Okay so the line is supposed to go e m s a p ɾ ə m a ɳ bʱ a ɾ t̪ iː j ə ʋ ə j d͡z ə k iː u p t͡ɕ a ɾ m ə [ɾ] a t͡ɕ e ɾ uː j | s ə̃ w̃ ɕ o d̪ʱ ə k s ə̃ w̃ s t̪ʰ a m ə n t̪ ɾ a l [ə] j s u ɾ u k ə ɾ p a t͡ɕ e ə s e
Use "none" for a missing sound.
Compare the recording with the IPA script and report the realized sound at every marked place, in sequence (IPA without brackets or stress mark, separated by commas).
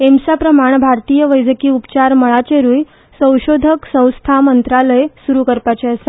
ɭ, ə